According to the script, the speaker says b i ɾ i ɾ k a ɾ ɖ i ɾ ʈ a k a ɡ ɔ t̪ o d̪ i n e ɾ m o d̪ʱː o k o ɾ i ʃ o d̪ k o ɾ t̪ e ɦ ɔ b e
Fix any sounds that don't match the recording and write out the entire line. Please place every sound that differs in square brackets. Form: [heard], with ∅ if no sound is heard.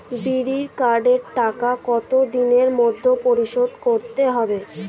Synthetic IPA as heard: b i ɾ i ɾ k a ɾ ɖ [e] ɾ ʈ a k a [k] ɔ t̪ o d̪ i n e ɾ m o d̪ʱː o [p] o ɾ i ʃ o d̪ k o ɾ t̪ e ɦ ɔ b e